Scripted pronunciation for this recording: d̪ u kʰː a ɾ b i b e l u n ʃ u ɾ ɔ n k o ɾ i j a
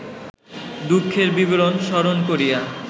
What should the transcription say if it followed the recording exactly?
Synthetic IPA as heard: d̪ u kʰː e ɾ b i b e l o n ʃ ɔ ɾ o n k o ɾ i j a